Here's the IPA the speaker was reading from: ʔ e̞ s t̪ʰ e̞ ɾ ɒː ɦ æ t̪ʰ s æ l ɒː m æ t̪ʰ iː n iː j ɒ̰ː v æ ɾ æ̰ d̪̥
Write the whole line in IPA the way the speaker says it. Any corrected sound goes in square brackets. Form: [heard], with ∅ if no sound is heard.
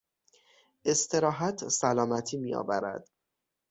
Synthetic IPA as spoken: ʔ e̞ s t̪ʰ e̞ ɾ ɒː ɦ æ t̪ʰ s æ l ɒː m æ t̪ʰ iː [m] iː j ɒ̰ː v æ ɾ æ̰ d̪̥